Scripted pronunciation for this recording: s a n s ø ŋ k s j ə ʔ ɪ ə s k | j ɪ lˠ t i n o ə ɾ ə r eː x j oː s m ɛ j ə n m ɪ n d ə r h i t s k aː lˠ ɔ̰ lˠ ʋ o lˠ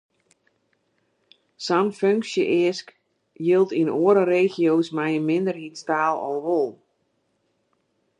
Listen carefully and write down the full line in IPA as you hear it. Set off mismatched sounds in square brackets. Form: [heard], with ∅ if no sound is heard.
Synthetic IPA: s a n [f] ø ŋ k s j ə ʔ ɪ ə s k | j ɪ lˠ t i n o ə ɾ ə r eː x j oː s m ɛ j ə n m ɪ n d ə r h i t s [t] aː lˠ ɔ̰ lˠ ʋ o lˠ